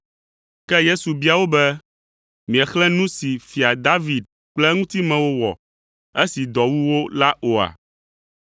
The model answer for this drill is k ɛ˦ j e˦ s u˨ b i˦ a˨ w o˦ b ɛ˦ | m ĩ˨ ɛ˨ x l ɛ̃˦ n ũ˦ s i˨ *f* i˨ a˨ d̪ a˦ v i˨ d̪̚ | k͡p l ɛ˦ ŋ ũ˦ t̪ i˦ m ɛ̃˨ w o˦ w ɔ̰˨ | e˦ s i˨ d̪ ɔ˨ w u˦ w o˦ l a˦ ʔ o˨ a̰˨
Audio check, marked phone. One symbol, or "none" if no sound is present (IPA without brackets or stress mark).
f